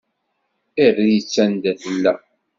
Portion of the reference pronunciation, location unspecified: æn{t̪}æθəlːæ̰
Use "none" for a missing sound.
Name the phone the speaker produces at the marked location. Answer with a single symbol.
d̪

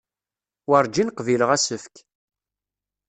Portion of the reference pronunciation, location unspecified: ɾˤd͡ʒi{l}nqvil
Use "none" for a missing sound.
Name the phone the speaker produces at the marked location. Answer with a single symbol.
none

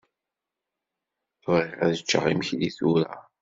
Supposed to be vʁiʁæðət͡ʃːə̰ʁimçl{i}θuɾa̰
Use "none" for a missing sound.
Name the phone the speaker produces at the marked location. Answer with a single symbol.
i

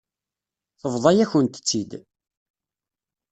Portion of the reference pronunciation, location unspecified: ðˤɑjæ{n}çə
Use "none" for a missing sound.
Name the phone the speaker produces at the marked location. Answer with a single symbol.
none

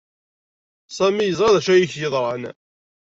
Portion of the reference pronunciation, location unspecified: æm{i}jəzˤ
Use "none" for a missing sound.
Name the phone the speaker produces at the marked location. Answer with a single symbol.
i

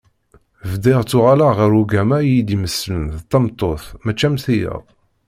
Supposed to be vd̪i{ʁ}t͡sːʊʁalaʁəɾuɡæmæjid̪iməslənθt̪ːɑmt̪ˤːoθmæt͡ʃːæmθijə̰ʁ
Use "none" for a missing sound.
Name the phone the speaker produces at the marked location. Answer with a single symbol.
ʁ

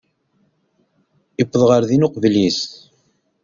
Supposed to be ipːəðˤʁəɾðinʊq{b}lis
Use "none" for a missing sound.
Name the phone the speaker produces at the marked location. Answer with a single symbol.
v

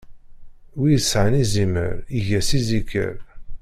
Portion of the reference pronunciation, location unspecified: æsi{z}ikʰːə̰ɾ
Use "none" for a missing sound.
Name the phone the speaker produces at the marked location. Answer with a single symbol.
z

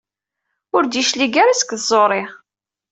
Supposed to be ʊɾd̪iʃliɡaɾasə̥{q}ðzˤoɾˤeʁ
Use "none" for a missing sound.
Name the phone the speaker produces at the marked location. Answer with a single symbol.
k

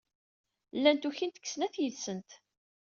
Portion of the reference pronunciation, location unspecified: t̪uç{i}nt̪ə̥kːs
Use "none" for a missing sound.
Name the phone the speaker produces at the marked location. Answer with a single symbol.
i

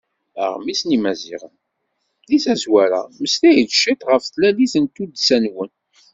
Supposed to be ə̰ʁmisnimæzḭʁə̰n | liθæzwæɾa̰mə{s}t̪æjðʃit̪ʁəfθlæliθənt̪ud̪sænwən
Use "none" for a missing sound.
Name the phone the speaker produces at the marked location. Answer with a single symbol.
s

